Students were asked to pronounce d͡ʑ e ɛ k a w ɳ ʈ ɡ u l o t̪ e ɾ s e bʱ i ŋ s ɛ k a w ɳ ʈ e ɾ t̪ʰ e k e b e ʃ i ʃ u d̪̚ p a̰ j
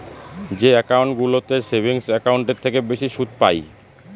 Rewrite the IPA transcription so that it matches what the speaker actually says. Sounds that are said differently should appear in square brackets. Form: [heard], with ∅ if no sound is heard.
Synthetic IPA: d͡ʑ e ɛ k a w ɳ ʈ ɡ u l o t̪ e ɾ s e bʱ i ŋ s ɛ k a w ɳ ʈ e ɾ t̪ʰ e k e b e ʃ i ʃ u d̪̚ p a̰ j